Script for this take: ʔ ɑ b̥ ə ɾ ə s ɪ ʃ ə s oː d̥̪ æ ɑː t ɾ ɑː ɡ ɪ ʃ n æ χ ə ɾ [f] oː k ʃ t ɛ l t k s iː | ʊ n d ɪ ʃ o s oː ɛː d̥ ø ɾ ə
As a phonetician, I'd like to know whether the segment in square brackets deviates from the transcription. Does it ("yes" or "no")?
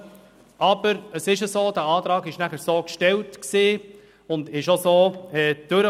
yes